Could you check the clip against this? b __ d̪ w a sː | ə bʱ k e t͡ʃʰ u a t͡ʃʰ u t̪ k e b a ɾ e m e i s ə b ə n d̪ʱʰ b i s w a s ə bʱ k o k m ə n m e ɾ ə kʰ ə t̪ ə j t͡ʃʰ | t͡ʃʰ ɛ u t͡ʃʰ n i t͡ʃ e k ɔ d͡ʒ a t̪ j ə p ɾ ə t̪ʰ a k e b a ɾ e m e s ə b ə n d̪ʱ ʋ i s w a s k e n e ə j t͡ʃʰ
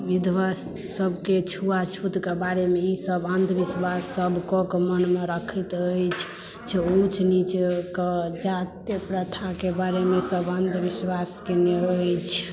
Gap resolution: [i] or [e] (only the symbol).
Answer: i